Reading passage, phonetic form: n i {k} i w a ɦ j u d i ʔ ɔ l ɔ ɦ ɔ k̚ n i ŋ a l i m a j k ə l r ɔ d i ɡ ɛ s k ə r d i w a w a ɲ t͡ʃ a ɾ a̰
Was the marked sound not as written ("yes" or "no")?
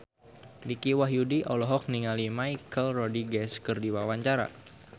no